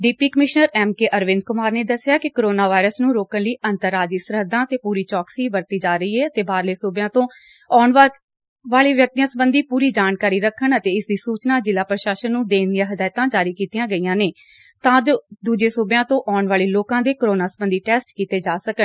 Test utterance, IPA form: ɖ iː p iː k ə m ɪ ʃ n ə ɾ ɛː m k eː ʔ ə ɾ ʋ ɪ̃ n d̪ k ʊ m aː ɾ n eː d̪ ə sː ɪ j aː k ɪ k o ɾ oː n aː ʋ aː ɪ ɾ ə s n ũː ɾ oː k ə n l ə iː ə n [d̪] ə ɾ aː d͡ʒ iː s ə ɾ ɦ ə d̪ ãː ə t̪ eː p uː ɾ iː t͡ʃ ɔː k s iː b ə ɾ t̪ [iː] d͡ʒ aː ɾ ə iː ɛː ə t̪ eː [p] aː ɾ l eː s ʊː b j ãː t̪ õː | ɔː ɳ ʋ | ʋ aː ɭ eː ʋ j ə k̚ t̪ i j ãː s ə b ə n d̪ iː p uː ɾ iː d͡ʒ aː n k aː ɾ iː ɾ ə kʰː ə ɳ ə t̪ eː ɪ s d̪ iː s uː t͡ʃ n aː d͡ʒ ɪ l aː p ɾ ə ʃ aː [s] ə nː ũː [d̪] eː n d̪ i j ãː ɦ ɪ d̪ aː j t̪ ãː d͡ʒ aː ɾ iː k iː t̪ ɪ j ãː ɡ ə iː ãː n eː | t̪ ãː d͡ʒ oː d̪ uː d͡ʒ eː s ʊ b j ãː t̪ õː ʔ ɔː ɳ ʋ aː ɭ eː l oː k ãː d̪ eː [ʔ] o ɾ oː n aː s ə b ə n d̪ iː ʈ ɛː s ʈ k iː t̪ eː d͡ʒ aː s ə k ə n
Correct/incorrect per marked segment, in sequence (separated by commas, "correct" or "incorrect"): incorrect, correct, incorrect, incorrect, correct, incorrect